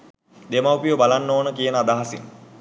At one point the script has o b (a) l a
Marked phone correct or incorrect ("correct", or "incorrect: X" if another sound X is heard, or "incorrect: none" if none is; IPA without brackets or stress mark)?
correct